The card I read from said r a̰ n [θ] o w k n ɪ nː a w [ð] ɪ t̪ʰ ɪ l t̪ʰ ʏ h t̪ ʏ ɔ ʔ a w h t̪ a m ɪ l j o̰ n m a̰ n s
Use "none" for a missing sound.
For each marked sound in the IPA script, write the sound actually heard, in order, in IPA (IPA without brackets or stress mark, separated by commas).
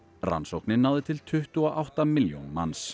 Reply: s, ð